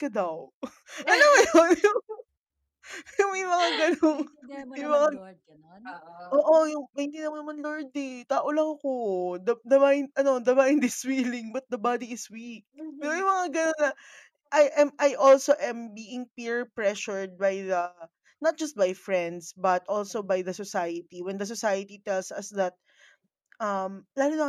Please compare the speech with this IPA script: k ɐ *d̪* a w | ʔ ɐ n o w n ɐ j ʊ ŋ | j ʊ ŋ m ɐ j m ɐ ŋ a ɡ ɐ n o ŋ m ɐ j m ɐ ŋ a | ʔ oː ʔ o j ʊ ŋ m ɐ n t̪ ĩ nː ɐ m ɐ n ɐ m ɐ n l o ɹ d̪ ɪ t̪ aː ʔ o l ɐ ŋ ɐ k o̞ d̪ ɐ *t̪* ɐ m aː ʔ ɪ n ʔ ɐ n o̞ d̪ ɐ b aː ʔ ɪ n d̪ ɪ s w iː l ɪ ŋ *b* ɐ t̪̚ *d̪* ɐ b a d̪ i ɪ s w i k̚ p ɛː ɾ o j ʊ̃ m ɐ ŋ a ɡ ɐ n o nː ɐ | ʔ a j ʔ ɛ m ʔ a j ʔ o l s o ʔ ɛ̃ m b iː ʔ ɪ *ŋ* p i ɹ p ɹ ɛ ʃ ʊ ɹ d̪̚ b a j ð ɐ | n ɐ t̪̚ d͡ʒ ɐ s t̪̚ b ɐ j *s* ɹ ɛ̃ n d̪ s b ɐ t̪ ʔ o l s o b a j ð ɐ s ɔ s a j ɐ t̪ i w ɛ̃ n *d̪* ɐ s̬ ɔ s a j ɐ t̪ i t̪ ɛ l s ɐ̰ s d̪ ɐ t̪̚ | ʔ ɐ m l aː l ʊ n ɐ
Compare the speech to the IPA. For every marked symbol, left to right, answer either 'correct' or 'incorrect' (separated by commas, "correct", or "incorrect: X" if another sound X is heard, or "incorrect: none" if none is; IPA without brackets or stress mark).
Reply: correct, incorrect: d̪, correct, correct, correct, incorrect: f, correct